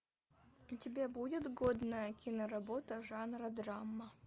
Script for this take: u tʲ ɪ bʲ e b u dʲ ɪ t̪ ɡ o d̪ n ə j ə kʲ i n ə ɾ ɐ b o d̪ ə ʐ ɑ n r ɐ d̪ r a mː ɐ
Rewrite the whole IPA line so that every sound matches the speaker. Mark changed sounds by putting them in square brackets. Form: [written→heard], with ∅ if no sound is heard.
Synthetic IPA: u tʲ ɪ bʲ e b u dʲ ɪ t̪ ɡ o d̪ n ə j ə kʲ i n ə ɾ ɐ b o [d̪→t̪] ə ʐ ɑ n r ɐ d̪ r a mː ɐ